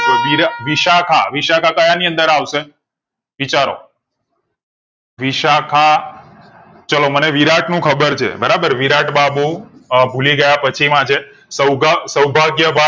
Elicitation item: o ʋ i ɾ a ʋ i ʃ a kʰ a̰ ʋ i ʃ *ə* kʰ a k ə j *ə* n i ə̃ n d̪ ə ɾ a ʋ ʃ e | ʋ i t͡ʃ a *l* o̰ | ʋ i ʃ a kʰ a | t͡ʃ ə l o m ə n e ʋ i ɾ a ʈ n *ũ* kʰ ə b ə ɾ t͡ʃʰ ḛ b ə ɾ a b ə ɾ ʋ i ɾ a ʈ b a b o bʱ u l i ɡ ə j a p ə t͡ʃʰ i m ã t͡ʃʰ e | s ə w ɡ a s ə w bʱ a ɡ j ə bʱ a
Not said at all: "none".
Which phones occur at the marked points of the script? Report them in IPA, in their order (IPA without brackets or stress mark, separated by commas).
a, a, ɾ, ũ